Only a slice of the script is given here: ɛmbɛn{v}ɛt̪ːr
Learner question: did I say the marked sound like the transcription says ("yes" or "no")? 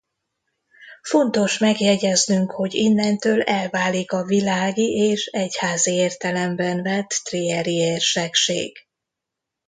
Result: yes